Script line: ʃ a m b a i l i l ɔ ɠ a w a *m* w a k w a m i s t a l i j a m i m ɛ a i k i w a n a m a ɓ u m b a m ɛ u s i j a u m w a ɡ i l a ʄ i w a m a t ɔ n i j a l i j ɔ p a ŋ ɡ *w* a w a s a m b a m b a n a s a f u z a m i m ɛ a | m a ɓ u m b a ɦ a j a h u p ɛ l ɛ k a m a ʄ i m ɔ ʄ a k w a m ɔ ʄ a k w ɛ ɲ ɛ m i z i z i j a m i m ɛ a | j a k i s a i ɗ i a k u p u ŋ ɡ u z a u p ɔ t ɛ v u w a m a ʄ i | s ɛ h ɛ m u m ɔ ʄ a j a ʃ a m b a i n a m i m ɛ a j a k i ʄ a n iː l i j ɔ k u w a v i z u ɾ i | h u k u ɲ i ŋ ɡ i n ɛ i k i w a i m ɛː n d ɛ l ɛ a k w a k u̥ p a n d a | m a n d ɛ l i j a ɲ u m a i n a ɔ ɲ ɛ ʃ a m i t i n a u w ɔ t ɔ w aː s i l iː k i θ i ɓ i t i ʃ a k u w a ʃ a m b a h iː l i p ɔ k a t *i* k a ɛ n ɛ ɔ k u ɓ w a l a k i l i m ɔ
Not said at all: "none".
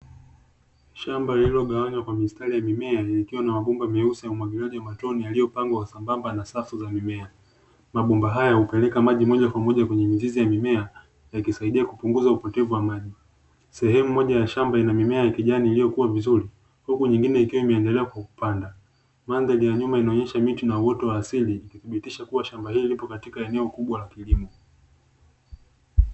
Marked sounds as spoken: ɲ, w, i

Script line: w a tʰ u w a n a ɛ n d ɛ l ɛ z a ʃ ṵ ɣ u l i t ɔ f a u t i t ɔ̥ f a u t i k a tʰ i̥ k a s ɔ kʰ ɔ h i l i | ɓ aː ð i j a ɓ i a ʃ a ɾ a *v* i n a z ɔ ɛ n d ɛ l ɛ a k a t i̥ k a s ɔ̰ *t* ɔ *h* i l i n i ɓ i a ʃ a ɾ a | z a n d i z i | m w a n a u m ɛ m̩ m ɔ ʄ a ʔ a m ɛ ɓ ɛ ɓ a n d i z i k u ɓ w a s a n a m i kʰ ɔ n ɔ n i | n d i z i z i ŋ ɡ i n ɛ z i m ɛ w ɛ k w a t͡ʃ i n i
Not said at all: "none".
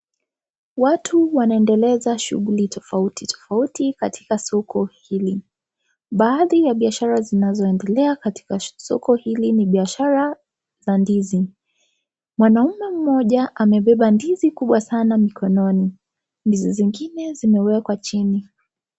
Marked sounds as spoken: z, k, h

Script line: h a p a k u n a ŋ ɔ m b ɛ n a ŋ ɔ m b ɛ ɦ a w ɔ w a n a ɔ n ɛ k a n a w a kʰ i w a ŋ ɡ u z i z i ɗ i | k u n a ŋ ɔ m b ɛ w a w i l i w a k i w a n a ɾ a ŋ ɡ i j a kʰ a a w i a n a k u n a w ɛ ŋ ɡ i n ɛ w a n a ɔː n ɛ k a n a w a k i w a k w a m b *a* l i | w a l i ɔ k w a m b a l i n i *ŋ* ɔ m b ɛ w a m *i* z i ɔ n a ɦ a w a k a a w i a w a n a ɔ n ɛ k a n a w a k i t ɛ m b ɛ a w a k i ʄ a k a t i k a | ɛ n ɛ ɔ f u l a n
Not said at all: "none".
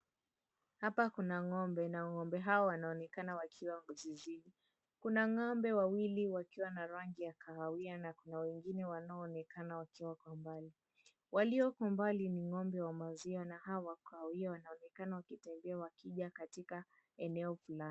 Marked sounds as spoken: a, ŋ, a

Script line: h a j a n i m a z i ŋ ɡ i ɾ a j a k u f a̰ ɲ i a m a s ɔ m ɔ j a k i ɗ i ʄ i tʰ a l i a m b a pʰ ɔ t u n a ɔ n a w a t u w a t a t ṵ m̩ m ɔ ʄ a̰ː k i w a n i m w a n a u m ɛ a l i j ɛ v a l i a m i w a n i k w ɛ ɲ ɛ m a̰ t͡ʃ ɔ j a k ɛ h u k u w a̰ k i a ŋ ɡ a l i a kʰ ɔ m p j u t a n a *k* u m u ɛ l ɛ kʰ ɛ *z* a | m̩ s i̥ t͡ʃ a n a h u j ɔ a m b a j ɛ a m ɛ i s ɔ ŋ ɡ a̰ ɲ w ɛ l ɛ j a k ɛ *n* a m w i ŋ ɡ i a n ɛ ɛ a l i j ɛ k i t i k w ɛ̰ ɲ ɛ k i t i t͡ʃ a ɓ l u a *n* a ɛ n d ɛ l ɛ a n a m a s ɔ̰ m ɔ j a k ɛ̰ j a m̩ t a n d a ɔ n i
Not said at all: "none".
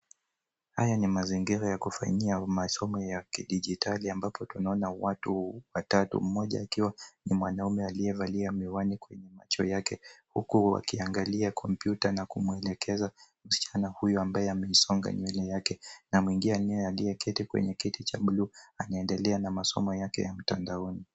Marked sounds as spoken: k, z, n, n

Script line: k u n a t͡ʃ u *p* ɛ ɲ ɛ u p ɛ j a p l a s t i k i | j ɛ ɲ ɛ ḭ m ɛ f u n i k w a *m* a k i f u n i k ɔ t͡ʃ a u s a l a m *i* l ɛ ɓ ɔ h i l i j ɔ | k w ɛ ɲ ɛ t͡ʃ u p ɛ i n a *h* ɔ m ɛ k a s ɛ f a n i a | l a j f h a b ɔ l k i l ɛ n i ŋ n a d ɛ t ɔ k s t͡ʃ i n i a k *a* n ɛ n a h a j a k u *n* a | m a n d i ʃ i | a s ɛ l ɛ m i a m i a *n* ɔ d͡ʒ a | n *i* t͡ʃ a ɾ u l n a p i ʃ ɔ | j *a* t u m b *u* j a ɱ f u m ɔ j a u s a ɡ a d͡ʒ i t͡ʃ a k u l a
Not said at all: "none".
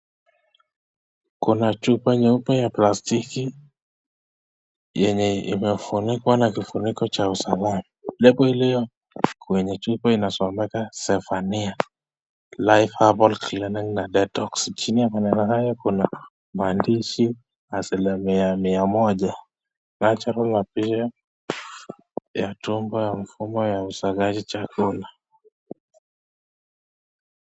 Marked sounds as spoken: p, n, a, s, a, n, m, a, a, ɔ

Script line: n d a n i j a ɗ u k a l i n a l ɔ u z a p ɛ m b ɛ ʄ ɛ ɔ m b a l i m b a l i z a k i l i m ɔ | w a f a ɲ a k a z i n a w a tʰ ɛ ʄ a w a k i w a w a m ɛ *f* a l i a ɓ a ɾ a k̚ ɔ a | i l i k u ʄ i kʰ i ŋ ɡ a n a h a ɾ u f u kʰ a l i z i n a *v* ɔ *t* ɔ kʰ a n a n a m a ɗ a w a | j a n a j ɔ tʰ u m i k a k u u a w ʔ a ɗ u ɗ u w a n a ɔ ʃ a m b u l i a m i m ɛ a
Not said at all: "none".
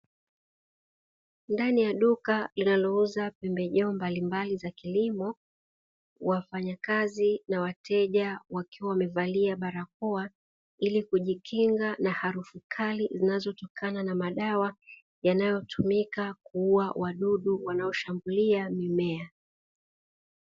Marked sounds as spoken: v, z, t

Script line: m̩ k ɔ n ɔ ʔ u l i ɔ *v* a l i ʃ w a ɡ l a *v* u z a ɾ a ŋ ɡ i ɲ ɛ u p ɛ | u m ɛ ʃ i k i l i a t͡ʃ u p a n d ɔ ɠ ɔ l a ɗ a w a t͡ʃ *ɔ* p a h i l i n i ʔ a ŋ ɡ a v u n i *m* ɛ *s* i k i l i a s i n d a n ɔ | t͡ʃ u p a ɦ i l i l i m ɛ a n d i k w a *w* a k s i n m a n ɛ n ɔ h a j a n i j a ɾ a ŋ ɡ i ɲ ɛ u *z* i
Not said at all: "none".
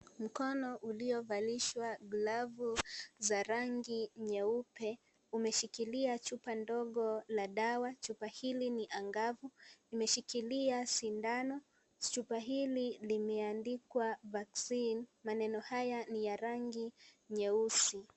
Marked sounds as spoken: v, v, u, m, ʃ, v, s

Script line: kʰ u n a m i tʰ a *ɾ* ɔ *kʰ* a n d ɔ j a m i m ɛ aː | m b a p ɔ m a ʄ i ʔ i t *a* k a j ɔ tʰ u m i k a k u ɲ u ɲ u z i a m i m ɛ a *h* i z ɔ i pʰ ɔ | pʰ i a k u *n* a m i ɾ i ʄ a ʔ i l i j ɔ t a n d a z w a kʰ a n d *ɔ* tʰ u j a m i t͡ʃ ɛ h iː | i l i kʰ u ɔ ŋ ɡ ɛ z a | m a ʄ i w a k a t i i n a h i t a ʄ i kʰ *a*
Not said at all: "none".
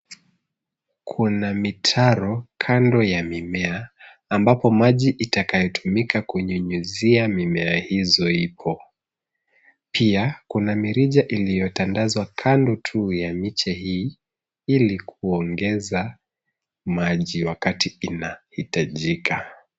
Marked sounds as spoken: ɾ, kʰ, a, h, n, ɔ, a

